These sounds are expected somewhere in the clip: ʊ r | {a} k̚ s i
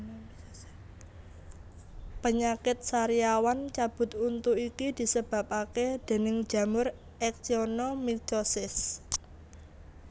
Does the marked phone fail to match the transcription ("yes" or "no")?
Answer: yes